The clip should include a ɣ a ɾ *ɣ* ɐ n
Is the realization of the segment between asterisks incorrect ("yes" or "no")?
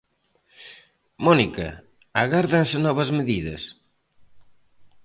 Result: yes